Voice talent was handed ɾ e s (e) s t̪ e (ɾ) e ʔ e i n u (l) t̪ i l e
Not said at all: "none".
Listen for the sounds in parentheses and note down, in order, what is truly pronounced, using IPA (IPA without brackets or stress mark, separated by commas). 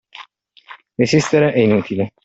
i, ɾ, none